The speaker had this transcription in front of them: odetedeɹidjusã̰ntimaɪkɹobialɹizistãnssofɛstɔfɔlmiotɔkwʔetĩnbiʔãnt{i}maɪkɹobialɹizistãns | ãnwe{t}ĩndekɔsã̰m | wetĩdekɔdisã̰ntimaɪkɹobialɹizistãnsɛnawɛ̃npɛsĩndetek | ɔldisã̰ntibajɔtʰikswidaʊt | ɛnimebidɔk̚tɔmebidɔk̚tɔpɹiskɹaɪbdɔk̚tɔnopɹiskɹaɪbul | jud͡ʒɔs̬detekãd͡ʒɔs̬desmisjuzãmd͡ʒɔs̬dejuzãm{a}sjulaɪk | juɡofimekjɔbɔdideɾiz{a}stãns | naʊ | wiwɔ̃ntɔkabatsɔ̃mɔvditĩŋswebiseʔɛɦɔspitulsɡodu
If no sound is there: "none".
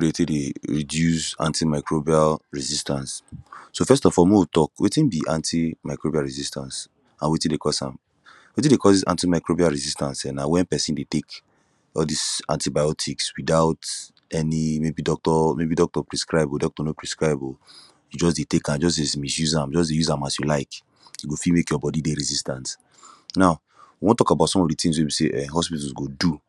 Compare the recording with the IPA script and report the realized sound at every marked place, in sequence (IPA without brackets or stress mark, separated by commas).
i, t, a, i